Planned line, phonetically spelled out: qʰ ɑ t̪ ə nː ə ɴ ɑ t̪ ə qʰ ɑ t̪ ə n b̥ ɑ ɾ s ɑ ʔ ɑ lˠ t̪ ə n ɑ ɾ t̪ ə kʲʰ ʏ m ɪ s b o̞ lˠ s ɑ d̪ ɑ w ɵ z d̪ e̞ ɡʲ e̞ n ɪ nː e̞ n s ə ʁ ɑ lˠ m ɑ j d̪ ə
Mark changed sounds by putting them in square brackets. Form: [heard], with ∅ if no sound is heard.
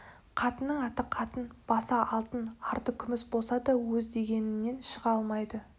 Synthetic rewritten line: qʰ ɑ t̪ ə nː ə ɴ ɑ t̪ ə qʰ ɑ t̪ ə n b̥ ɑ [∅] s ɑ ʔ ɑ lˠ t̪ ə n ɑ ɾ t̪ ə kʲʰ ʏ m ɪ s b o̞ lˠ s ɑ d̪ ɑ w ɵ z d̪ e̞ ɡʲ e̞ n ɪ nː e̞ n [ʃ] ə ʁ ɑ lˠ m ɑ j d̪ ə